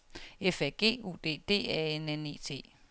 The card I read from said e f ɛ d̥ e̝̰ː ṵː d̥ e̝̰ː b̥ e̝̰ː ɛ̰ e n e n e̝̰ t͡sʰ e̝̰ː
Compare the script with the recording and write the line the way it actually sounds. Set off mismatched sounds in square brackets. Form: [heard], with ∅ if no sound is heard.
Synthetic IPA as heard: e f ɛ [ɡ̥] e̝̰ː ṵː d̥ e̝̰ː [d̥] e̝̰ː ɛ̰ e n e n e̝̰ t͡sʰ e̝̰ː